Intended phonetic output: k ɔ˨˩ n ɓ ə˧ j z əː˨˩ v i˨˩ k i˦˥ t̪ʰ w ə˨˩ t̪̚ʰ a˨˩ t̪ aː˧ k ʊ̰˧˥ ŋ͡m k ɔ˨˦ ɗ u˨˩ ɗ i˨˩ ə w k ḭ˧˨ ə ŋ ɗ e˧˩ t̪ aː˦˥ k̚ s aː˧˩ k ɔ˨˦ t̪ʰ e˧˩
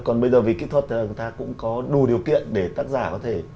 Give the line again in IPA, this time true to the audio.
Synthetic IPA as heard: k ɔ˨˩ n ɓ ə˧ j z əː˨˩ v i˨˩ k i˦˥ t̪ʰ w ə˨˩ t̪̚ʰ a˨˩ t̪ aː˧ k ʊ̰˧˥ ŋ͡m k ɔ˨˦ ɗ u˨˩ ɗ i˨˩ ə w k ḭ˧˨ ə n ɗ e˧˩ t̪ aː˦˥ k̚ z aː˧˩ k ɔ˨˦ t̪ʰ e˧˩